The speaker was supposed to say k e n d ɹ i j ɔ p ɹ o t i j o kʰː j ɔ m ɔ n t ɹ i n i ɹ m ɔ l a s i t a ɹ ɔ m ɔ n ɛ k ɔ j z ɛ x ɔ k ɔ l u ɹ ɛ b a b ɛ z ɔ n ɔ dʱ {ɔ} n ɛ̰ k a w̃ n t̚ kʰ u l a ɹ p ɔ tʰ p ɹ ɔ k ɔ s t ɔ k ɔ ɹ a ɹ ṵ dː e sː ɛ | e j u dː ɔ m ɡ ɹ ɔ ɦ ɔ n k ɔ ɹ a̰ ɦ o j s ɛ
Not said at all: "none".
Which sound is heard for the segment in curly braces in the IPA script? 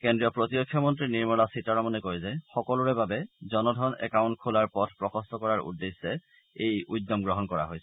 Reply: ɔ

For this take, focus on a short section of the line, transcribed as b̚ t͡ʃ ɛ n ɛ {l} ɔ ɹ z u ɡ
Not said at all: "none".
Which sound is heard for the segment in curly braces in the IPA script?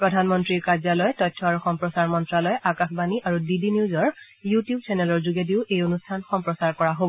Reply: l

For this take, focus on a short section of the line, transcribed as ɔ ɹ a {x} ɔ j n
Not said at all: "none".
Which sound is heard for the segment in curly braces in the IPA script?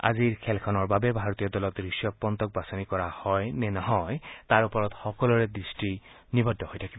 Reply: h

